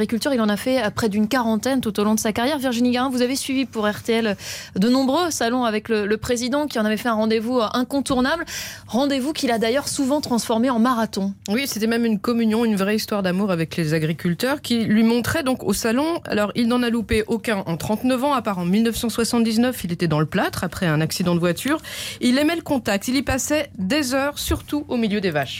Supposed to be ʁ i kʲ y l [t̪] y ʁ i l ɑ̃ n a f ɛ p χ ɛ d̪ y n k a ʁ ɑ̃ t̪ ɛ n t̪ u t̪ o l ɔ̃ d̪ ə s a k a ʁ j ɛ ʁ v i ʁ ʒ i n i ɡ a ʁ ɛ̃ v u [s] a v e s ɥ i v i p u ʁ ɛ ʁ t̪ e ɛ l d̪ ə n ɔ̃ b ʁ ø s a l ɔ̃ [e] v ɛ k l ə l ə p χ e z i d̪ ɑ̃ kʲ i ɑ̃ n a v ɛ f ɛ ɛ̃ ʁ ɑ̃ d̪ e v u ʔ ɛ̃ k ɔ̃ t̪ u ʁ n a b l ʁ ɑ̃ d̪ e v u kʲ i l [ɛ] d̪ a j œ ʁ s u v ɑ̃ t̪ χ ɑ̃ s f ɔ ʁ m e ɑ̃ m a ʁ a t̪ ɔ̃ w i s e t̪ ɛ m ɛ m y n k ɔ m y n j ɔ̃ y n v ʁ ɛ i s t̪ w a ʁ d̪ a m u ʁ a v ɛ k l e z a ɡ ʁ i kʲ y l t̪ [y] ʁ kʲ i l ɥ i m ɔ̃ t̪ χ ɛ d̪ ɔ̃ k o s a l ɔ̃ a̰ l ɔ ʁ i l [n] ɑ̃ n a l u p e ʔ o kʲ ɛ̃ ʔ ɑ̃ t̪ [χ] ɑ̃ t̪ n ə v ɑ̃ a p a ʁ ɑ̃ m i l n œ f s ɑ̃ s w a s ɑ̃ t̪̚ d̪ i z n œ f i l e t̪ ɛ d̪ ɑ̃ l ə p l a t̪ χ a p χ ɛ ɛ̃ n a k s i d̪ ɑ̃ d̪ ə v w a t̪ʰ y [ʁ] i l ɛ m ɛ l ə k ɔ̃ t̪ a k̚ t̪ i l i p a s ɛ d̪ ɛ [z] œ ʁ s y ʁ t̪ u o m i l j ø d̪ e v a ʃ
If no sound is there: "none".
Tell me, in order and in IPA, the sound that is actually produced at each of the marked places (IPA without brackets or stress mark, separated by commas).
t̪, z, a, a, œ, n, χ, ʁ, z